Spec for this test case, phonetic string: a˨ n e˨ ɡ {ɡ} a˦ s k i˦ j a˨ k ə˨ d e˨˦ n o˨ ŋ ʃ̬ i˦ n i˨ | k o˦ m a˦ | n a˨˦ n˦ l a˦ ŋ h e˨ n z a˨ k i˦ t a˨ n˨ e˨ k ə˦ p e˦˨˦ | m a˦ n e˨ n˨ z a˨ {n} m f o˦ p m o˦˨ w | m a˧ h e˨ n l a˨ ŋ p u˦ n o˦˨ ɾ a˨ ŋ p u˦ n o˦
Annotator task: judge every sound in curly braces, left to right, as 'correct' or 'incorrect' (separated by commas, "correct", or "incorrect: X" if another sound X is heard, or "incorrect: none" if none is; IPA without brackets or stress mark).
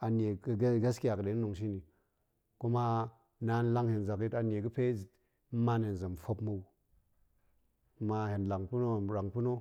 correct, incorrect: none